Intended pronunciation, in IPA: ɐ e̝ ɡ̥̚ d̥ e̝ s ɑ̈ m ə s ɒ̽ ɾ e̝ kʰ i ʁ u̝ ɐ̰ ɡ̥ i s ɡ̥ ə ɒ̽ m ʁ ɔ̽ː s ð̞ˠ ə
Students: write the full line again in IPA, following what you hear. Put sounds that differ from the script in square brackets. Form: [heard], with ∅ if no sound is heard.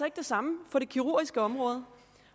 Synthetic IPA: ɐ e̝ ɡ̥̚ d̥ e̝ s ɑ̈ m ə [f] ɒ̽ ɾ e̝ kʰ i ʁ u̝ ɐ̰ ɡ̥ i s ɡ̥ ə ɒ̽ m ʁ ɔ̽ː [∅] ð̞ˠ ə

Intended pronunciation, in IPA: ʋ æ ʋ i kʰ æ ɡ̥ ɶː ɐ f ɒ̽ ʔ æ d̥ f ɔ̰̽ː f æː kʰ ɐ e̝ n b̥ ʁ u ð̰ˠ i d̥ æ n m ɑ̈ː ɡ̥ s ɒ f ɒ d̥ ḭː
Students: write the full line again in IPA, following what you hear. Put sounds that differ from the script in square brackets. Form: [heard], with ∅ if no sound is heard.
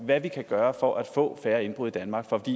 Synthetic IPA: ʋ æ ʋ i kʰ æ ɡ̥ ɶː ɐ f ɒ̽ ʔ æ d̥ f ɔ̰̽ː f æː [∅] ɐ e̝ n b̥ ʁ u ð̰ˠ i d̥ æ n m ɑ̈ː ɡ̥ [f] ɒ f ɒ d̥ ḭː

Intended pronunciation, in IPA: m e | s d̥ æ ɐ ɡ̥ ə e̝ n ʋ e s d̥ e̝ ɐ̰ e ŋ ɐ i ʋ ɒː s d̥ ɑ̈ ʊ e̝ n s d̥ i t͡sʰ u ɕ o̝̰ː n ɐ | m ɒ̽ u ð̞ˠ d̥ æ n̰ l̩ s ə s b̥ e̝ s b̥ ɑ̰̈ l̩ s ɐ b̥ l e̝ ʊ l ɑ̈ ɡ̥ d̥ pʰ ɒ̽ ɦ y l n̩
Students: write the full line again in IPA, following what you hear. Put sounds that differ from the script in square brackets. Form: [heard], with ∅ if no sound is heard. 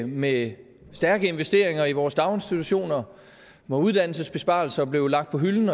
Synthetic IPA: m e | s d̥ æ ɐ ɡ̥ ə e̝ n ʋ e s d̥ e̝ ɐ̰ e ŋ ɐ i ʋ ɒː s d̥ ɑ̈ ʊ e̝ n s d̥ i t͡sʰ u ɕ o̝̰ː n ɐ | m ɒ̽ u ð̞ˠ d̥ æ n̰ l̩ s ə s b̥ e̝ s b̥ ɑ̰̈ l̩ s ɐ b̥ l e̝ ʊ l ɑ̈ ɡ̥ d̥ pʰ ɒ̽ ɦ y l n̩

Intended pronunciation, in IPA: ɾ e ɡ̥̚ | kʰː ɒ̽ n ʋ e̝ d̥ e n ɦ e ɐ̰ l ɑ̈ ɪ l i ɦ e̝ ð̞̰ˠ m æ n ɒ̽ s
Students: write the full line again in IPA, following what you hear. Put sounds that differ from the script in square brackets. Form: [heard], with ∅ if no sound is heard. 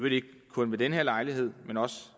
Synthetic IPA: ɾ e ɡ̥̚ | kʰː [ɔ̽] n ʋ e̝ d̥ e n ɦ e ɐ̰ l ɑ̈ ɪ l i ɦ e̝ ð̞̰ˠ m [e] n ɒ̽ s

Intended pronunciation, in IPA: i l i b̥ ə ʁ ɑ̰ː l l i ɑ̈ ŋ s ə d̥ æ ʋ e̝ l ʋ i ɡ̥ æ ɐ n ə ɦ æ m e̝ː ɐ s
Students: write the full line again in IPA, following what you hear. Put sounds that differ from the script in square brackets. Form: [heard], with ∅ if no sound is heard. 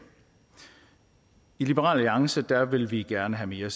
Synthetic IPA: i l i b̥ ə ʁ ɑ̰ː l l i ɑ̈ ŋ s ə d̥ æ ʋ e̝ l ʋ i ɡ̥ æ ɐ n ə ɦ æ m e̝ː ɐ s

